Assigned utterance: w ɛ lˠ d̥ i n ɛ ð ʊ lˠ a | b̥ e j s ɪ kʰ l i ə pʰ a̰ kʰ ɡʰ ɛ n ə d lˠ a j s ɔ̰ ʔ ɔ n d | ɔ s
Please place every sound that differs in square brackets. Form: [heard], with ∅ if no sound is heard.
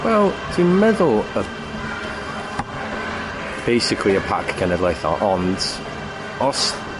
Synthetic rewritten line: w ɛ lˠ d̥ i [m] ɛ ð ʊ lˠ [ə] | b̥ e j s ɪ kʰ l i ə pʰ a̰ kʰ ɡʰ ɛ n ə d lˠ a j [θ] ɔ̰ ʔ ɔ n d | ɔ s